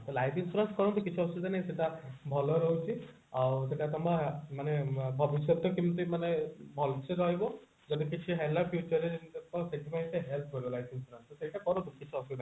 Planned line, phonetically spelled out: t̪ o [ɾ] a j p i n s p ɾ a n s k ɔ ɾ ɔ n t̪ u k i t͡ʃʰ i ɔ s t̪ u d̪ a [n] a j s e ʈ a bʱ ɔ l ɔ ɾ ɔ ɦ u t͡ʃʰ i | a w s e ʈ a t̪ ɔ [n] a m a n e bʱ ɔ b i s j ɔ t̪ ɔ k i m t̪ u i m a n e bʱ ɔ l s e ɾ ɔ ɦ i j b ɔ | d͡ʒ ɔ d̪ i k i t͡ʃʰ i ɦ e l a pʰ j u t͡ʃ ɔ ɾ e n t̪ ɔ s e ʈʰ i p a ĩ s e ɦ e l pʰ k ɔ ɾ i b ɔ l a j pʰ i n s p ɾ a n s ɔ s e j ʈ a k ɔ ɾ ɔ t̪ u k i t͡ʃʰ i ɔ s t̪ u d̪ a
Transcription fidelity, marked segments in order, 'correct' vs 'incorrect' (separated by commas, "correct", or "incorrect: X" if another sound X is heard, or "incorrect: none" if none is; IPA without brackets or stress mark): incorrect: l, correct, incorrect: m